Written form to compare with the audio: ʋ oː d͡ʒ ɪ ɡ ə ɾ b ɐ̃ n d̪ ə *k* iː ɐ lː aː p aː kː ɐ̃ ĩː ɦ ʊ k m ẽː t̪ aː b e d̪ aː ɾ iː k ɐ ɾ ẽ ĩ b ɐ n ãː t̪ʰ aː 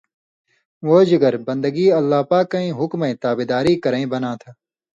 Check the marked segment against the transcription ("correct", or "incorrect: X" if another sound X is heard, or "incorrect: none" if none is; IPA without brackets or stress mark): incorrect: ɡ